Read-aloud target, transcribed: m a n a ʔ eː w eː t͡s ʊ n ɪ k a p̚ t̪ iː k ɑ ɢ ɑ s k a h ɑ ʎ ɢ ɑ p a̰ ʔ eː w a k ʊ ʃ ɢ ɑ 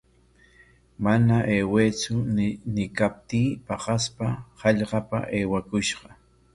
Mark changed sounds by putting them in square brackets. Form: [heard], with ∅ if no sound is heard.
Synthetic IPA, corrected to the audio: m a n a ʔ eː w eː t͡s ʊ n ɪ k a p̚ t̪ iː [p] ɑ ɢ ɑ s [p] a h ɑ ʎ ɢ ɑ p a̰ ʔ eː w a k ʊ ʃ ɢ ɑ